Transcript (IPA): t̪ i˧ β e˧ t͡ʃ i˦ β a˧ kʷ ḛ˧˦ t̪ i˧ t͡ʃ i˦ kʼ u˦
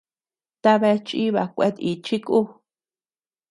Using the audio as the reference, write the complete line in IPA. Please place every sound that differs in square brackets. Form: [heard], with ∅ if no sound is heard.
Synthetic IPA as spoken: t̪ [a˧] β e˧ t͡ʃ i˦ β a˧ kʷ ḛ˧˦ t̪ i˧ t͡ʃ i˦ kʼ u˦